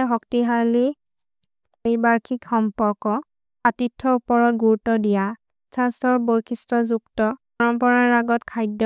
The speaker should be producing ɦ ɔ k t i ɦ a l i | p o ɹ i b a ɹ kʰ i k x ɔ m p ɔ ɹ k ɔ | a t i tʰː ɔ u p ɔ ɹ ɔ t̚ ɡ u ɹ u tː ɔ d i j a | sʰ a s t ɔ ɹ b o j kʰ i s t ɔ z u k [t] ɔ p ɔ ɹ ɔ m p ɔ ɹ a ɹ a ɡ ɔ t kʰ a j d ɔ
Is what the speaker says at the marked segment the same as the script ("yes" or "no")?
yes